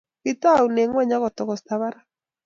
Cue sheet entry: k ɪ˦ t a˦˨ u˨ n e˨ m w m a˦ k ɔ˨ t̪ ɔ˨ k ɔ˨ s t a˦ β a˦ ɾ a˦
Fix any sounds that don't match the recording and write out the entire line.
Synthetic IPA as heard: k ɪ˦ t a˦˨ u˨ n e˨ ŋ w ɲ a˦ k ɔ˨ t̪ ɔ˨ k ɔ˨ s t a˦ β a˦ ɾ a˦

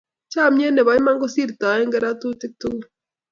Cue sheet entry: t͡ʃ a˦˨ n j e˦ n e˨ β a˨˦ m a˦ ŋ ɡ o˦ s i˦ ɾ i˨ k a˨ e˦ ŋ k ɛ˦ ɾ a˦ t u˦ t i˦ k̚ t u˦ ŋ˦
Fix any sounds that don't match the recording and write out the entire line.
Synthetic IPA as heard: t͡ʃ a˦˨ m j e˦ n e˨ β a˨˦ m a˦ ŋ ɡ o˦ s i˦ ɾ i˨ t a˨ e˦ ŋ ɡ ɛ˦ ɾ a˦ t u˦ t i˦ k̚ t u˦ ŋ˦

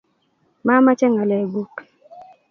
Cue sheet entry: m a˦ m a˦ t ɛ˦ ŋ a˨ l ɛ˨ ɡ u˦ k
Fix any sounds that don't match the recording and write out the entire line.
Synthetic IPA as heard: m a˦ m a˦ t͡ʃ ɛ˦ ŋ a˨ l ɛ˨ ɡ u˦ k

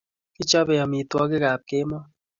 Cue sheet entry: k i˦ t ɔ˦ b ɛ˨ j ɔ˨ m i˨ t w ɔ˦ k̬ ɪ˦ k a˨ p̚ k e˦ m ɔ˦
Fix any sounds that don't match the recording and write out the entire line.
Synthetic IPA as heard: k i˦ t͡ʃ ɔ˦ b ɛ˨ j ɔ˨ m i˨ t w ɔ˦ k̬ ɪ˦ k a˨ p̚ k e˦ m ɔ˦

